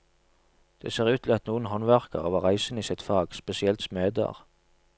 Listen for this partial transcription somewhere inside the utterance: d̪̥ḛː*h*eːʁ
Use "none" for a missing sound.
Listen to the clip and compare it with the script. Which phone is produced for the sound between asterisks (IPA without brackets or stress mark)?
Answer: s